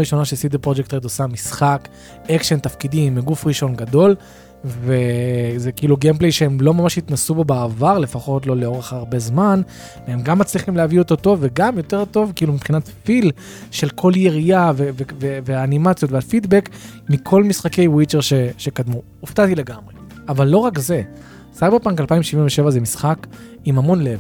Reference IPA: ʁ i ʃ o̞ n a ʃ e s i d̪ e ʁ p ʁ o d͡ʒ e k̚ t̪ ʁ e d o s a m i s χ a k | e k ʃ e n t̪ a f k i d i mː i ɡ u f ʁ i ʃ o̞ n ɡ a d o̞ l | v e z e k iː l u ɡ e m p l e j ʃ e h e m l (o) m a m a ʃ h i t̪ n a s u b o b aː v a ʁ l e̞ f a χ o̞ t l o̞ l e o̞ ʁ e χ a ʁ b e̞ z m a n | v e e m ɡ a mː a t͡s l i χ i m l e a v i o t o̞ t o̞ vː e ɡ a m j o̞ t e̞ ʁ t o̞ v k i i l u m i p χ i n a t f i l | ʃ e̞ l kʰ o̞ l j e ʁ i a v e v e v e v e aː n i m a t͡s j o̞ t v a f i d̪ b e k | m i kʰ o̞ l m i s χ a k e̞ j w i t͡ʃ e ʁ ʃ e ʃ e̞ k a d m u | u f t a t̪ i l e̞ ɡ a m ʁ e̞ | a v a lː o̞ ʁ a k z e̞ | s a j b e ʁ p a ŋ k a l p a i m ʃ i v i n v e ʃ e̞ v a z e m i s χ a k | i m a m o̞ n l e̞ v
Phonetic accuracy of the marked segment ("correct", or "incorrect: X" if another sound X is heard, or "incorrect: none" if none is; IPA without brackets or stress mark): correct